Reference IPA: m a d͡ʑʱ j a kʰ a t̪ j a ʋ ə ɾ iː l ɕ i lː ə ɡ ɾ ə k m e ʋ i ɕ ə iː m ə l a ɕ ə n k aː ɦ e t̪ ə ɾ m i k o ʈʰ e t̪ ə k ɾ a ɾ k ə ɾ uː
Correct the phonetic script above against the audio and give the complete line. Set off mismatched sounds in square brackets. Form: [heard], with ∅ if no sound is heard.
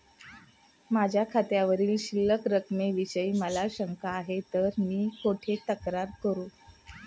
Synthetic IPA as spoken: m a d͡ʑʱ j a kʰ a t̪ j a ʋ ə ɾ iː l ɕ i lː ə [k] ɾ ə k m e ʋ i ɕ ə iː m ə l a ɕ ə [ŋ] k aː ɦ e t̪ ə ɾ m [iː] k o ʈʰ e t̪ ə k ɾ a ɾ k ə ɾ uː